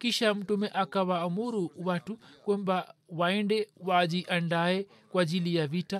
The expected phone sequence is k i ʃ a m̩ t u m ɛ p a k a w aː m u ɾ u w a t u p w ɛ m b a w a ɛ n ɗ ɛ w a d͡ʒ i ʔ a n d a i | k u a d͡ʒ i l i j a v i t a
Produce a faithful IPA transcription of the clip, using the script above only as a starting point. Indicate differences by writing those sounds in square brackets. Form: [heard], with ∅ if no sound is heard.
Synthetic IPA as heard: k i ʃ a m̩ t u m ɛ [ʔ] a k a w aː m u ɾ u w a t u [k] w ɛ m b a w a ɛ n [d] ɛ w a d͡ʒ i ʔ a n d a [ɛ] | k [w] a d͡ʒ i l i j a v i t a